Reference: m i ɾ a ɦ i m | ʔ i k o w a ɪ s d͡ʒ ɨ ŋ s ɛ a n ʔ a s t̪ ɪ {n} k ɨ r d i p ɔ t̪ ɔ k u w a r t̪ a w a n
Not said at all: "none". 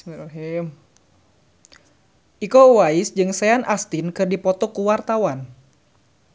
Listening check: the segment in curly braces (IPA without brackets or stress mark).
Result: n